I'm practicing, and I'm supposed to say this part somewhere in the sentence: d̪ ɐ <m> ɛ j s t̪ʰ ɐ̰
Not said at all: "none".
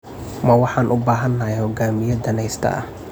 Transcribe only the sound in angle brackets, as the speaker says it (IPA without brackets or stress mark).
n